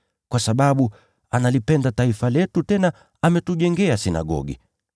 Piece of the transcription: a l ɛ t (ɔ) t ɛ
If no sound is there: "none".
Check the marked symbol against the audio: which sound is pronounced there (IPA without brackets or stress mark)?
u